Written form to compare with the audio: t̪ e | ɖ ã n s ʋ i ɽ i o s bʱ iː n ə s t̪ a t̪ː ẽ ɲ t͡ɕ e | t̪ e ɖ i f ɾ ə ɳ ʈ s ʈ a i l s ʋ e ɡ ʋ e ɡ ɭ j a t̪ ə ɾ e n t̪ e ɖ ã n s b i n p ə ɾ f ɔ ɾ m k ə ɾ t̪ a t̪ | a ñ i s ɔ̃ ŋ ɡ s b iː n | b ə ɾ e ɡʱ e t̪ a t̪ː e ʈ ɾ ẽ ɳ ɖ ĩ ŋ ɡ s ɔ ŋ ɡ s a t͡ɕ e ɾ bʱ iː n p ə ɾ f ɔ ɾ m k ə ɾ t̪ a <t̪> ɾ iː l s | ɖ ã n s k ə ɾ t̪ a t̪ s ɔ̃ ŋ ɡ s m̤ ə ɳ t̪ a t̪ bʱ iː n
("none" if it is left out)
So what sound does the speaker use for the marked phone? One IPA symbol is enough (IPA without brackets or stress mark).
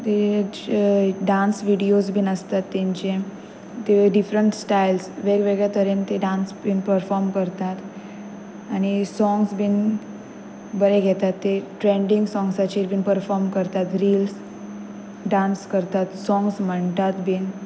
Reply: t̪